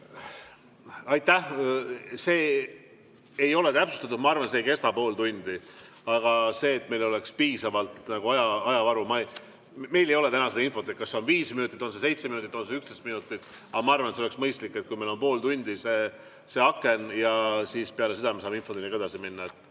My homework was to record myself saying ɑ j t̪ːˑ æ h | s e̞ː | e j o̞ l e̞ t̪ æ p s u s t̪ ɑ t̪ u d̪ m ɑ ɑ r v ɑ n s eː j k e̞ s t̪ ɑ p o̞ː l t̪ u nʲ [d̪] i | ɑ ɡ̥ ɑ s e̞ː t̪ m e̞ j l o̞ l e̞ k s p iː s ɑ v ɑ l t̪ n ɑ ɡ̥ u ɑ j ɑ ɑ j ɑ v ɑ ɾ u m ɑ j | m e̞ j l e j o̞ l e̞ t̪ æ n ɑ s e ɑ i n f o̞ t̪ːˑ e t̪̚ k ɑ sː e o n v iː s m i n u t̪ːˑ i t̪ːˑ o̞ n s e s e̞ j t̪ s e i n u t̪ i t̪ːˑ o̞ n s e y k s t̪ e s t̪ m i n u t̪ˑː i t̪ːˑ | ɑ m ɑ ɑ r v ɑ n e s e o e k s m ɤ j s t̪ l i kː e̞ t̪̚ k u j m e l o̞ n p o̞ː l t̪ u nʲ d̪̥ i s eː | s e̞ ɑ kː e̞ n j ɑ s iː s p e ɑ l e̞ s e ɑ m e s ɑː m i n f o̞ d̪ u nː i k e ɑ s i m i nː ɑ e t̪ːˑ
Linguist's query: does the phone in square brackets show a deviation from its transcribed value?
no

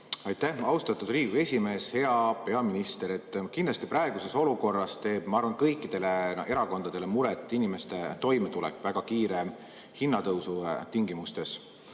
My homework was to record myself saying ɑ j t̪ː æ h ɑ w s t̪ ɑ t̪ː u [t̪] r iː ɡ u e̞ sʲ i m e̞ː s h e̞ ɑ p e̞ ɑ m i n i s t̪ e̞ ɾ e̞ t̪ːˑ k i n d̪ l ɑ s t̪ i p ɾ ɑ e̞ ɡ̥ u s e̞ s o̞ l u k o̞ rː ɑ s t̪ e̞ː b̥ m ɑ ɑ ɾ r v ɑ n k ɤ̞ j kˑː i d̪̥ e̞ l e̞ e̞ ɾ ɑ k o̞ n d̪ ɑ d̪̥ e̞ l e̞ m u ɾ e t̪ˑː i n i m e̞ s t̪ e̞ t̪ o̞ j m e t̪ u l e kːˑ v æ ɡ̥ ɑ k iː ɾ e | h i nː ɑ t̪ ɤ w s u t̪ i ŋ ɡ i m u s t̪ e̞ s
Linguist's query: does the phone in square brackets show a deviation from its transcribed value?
yes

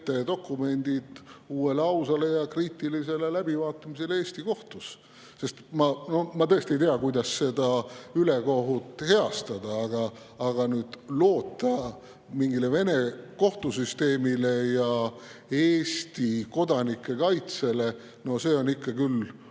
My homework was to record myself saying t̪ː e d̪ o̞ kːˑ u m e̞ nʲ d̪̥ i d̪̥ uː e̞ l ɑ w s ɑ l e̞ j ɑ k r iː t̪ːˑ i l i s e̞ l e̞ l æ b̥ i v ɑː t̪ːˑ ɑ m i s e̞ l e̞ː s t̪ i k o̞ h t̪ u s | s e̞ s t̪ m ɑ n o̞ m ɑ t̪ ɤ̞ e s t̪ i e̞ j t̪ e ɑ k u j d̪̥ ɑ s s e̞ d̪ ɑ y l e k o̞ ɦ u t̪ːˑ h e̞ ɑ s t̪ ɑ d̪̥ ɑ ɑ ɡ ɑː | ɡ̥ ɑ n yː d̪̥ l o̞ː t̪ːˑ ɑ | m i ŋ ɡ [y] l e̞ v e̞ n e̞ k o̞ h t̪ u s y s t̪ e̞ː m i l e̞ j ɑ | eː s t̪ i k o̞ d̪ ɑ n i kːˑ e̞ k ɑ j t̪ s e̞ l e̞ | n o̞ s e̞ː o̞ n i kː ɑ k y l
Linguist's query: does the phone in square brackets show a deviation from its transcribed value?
yes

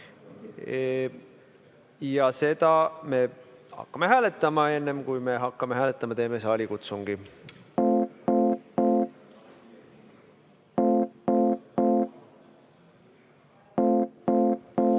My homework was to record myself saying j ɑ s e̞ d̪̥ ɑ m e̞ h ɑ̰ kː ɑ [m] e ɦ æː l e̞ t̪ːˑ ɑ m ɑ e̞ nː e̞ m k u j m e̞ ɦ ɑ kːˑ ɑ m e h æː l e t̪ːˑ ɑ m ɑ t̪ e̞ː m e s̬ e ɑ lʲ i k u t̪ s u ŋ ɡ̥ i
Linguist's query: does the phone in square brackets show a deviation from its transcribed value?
no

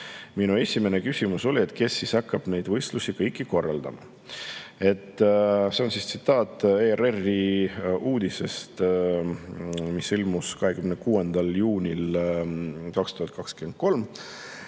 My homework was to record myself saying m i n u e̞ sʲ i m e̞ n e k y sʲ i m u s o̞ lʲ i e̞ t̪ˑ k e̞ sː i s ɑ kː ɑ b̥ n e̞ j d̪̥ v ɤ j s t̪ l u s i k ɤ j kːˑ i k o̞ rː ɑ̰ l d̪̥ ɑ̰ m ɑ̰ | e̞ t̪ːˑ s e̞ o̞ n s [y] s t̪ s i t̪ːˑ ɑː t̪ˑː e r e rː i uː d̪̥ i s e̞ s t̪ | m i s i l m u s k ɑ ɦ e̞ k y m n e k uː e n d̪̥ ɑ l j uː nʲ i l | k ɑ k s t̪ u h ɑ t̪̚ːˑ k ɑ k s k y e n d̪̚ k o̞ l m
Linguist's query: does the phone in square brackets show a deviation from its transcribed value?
yes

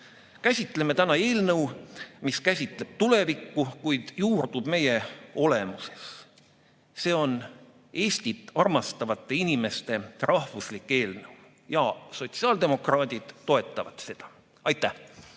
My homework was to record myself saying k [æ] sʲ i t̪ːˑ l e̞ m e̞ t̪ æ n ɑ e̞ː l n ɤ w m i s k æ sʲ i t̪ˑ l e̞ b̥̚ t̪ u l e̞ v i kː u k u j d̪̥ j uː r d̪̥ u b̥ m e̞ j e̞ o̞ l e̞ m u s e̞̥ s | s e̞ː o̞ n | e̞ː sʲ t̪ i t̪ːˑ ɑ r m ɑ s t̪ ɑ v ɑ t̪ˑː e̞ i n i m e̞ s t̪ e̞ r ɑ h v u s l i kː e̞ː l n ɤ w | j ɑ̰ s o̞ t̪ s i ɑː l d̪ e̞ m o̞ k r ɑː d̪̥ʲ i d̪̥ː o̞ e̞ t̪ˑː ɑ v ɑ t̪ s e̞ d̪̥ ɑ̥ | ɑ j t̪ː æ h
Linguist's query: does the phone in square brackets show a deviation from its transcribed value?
no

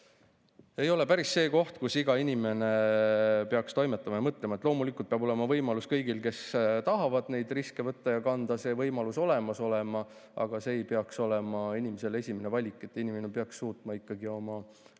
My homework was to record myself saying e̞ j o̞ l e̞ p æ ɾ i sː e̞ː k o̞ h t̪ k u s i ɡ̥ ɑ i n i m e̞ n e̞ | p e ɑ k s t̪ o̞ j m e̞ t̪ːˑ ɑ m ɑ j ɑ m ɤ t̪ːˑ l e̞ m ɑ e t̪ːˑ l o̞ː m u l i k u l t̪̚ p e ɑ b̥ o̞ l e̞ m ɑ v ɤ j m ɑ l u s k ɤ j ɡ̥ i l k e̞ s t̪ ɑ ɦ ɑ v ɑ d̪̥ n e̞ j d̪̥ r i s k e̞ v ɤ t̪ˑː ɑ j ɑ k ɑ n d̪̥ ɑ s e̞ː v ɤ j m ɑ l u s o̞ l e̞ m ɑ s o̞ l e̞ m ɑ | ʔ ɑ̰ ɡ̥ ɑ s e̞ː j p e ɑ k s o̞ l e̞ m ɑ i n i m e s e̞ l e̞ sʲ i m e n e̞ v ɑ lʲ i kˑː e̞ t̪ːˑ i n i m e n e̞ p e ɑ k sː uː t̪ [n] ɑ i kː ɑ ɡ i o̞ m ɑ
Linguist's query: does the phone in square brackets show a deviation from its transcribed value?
yes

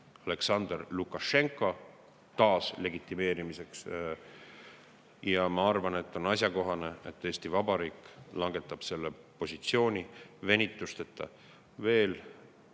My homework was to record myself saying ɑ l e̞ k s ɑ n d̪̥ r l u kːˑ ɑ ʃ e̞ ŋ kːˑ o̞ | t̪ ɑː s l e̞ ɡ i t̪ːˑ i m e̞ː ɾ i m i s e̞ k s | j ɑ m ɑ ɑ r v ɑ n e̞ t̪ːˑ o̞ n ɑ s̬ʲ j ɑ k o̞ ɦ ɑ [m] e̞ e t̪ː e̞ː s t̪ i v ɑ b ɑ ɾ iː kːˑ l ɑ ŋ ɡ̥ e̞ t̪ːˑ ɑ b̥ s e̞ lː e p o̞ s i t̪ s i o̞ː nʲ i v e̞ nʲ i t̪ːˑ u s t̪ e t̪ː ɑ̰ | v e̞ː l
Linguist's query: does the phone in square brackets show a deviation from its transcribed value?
yes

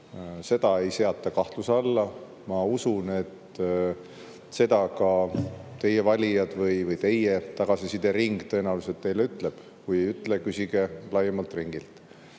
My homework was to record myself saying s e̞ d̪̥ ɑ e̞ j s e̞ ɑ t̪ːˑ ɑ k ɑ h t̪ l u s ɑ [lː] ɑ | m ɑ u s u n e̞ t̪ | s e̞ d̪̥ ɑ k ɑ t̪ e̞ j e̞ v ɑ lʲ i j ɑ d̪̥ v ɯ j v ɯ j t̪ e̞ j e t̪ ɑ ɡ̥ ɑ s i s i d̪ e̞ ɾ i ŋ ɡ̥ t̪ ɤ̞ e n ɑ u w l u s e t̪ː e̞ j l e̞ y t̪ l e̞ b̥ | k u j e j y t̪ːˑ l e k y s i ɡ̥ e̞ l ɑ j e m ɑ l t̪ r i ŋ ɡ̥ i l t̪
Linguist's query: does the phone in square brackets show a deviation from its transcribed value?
no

